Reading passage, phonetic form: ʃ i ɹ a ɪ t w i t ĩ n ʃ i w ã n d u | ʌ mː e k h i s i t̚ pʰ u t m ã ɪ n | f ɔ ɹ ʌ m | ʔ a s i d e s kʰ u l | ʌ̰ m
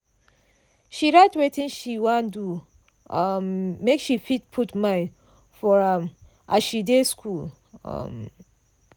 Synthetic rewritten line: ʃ i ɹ a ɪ t w e t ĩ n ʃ i w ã n d u | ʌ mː e k ʃ i f i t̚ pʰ u t m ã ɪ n | f ɔ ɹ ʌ m | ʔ a ʃ i d e s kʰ u l | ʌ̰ m